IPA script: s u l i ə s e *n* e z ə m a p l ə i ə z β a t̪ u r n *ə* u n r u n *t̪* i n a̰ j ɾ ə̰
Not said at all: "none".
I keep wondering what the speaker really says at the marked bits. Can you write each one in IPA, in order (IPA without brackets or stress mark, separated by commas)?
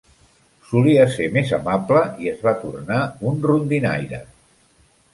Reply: m, a, d̪